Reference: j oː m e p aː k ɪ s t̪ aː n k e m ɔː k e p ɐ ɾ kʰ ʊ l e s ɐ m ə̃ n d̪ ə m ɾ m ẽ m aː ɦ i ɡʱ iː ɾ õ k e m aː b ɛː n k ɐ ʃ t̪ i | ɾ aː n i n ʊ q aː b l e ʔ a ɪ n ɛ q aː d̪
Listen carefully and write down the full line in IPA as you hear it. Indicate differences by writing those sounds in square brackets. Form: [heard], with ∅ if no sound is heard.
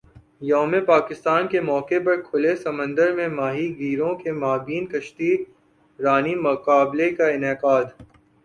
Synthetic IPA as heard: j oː m e p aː k ɪ s t̪ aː n k e m ɔː k e p ɐ ɾ kʰ ʊ l e s ɐ m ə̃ n d̪ ə [∅] ɾ m ẽ m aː ɦ i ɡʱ iː ɾ õ k e m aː b [iː] n k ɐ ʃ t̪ i | ɾ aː n i [m] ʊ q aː b l e [k] a ɪ n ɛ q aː d̪

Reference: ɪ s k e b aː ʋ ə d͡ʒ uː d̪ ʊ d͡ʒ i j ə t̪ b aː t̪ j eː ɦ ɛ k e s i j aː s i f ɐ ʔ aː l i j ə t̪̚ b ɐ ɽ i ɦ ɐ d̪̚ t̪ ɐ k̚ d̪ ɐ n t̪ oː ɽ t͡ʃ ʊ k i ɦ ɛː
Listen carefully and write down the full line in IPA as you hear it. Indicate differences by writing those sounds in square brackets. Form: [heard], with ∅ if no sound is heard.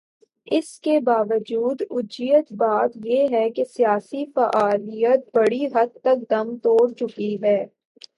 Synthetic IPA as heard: ɪ s k e b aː ʋ ə d͡ʒ uː d̪ ʊ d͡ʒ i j ə t̪ b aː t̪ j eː ɦ ɛ k e s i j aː s i f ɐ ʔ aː l i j ə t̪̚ b ɐ ɽ i ɦ ɐ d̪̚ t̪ ɐ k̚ d̪ ɐ [m] t̪ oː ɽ t͡ʃ ʊ k i ɦ ɛː

